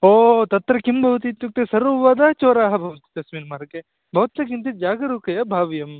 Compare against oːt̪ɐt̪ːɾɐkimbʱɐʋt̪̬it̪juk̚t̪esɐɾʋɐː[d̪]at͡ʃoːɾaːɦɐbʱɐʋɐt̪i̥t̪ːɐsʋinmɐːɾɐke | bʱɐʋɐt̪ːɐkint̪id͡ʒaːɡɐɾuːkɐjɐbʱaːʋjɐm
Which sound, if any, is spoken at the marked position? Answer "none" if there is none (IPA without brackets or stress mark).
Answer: d̪